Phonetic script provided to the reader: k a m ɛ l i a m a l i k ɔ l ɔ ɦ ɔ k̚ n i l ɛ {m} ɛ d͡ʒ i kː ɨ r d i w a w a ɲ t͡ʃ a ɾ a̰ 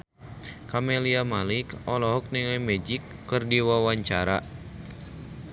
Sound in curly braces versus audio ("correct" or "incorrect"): correct